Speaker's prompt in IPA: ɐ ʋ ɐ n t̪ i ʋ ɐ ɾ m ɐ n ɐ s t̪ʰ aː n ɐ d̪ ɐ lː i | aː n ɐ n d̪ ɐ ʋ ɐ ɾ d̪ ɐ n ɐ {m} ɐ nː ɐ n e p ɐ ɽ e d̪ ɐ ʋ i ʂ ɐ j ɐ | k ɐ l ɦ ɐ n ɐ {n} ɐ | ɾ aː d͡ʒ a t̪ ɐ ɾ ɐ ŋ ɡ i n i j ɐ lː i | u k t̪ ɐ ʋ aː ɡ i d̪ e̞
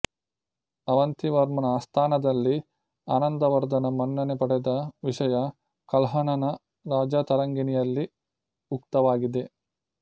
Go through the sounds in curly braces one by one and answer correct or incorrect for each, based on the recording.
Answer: correct, correct

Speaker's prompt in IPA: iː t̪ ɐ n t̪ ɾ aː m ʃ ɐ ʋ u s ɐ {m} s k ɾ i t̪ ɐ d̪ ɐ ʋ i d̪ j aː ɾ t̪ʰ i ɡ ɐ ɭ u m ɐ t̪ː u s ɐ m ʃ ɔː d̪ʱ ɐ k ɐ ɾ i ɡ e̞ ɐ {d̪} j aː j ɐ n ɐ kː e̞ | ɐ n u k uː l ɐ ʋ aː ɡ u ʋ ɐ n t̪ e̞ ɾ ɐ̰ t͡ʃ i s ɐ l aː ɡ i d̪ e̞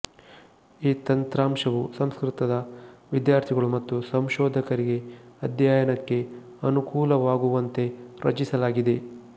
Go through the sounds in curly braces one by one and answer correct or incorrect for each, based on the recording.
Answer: correct, correct

